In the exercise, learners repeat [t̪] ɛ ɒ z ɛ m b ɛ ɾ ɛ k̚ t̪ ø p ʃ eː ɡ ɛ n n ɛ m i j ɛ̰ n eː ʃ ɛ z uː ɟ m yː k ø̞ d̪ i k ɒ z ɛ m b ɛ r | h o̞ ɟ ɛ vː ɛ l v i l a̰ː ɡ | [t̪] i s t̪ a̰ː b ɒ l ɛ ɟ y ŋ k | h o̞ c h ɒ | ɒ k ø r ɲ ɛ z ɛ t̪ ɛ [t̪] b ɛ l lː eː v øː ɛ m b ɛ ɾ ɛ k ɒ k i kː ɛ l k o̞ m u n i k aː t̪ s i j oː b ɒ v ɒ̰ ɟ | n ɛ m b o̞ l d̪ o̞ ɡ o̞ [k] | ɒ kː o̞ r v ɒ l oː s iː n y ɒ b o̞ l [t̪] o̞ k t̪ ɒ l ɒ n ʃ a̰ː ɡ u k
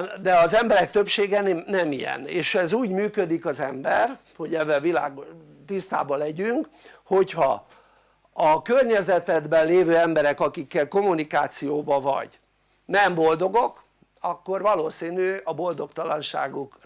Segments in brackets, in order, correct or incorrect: incorrect, correct, incorrect, correct, incorrect

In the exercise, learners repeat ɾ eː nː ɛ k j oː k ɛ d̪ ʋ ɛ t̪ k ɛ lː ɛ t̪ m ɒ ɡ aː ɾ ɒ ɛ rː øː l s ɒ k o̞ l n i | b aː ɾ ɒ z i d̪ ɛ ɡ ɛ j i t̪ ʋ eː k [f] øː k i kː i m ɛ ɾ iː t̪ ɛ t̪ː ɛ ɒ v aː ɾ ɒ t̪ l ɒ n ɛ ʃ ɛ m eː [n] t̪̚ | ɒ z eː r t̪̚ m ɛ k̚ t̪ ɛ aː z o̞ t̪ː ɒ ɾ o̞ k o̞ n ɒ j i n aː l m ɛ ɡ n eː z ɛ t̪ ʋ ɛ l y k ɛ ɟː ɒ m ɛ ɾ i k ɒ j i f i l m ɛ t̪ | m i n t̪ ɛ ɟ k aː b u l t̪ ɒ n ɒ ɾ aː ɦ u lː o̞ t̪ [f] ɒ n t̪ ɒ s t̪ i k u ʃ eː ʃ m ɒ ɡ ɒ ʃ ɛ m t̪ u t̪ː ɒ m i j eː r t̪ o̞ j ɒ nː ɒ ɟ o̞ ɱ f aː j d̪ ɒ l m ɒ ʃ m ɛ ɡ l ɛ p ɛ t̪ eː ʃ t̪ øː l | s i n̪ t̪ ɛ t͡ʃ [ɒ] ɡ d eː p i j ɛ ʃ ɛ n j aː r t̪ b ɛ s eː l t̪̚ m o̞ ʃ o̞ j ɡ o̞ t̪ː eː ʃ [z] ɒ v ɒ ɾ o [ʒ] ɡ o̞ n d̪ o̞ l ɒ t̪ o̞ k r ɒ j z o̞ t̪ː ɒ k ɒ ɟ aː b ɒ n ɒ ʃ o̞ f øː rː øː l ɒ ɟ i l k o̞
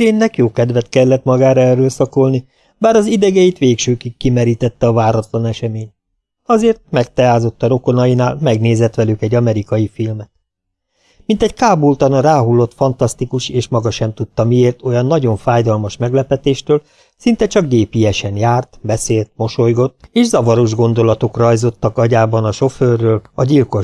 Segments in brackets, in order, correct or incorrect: incorrect, incorrect, correct, correct, correct, correct

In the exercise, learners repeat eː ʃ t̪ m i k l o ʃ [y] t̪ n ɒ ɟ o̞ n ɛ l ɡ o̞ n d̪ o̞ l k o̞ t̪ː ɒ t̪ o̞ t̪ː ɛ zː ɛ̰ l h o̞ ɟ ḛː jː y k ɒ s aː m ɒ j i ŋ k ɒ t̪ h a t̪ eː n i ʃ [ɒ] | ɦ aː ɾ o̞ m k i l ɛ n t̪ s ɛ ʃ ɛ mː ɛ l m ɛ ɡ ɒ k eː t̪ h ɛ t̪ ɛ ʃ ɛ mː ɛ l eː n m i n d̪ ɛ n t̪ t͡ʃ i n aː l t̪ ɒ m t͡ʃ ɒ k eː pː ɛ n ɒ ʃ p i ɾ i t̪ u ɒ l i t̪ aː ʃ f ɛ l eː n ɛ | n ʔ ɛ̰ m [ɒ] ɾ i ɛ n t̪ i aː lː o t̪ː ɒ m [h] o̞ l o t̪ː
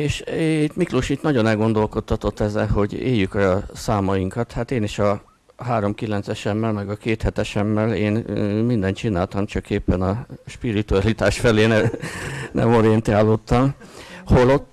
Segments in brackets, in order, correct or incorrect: incorrect, correct, incorrect, correct

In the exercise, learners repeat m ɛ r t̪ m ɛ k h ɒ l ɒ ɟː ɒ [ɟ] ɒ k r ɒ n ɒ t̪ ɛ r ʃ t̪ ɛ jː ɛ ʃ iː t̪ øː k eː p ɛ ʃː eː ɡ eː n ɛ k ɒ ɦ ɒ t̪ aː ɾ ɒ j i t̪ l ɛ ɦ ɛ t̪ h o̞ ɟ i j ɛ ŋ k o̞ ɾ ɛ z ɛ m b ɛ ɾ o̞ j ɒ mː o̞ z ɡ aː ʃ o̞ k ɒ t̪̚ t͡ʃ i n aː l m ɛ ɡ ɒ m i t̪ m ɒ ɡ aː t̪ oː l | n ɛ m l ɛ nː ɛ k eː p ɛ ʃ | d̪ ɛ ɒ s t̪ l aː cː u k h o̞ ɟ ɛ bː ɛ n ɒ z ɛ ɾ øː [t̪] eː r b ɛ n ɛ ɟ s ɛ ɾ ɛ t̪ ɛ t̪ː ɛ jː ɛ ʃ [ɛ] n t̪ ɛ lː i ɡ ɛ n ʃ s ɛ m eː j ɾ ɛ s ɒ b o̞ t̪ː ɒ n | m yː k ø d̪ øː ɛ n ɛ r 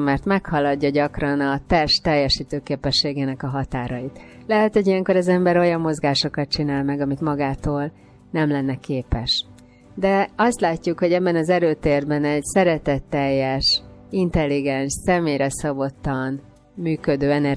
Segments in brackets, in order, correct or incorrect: correct, correct, incorrect

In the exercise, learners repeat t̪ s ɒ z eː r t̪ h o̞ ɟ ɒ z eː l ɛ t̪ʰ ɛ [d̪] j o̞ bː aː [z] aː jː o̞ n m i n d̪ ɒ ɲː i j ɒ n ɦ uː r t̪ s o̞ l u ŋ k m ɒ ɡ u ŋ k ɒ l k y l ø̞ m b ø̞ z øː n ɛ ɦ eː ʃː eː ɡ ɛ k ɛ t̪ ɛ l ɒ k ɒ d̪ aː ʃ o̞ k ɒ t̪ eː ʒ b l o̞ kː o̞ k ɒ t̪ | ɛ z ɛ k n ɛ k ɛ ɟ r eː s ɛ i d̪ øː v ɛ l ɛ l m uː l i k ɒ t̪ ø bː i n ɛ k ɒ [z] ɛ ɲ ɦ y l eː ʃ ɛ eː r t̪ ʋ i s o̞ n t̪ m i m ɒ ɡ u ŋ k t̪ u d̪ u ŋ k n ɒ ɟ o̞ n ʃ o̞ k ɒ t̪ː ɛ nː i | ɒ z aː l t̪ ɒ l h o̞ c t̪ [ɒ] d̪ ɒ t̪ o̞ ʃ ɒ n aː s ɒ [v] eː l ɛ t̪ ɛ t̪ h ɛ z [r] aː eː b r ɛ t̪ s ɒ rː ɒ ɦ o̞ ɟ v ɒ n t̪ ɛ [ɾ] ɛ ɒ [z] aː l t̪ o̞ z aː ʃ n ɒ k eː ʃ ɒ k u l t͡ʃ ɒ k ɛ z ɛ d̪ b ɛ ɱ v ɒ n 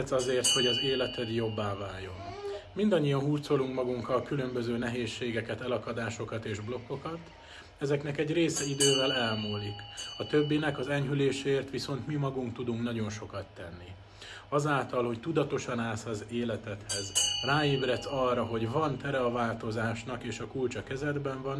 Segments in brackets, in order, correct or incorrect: correct, incorrect, correct, incorrect, incorrect, correct, correct, incorrect

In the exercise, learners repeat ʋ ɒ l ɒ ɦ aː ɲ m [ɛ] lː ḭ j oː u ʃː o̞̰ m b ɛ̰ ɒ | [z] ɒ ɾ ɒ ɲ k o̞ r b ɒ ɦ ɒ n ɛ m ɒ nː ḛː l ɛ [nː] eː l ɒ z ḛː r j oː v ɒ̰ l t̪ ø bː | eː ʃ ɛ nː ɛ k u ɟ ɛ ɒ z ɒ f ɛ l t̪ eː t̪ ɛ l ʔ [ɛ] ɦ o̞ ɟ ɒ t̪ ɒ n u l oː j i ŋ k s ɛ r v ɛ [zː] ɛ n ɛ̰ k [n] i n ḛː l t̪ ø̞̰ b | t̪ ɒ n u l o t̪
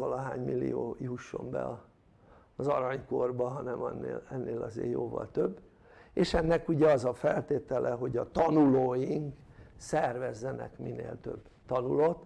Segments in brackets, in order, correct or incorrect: incorrect, correct, correct, correct, correct, incorrect

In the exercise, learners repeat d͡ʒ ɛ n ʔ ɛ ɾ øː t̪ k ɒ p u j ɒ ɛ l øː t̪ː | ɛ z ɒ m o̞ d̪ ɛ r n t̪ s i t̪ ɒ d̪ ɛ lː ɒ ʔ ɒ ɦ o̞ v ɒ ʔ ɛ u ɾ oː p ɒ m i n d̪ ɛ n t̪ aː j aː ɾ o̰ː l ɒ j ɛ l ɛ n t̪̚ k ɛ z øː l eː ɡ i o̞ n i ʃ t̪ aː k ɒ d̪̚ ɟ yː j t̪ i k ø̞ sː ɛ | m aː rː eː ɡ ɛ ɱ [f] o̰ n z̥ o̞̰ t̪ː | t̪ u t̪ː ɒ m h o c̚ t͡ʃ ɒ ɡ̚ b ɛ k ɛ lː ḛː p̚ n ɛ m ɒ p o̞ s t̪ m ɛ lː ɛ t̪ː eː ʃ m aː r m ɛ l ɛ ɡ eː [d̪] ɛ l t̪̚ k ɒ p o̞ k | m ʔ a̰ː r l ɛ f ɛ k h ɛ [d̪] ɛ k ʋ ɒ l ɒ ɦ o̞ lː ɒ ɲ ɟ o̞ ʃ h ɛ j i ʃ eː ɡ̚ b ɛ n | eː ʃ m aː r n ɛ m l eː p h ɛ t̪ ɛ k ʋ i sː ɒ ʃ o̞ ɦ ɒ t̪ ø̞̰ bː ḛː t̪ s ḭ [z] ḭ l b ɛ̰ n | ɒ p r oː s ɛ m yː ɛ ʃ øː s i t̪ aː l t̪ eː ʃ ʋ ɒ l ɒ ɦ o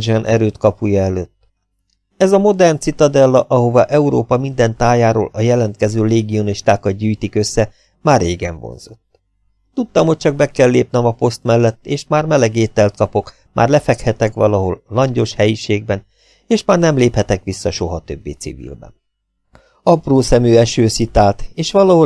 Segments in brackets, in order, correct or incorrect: incorrect, incorrect, incorrect, incorrect

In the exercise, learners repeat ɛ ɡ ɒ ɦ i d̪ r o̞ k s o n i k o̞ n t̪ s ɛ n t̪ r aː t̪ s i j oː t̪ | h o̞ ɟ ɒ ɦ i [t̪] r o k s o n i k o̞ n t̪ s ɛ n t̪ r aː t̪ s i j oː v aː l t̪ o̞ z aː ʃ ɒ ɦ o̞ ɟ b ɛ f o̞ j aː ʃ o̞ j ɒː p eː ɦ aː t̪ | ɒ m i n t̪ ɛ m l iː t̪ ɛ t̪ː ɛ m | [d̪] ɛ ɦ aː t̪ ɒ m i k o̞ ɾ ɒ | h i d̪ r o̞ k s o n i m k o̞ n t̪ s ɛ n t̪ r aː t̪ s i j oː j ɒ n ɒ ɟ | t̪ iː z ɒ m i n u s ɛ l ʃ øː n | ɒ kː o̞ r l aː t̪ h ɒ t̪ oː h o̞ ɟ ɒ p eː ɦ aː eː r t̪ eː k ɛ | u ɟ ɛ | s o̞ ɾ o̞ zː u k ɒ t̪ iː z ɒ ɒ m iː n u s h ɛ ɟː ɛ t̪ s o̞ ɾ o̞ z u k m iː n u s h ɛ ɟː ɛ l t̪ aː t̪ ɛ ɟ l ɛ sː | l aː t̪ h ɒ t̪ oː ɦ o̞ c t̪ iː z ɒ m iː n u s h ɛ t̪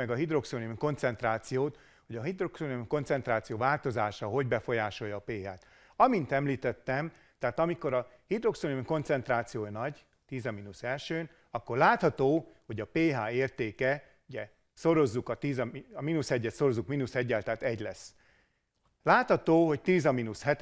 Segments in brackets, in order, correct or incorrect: incorrect, incorrect

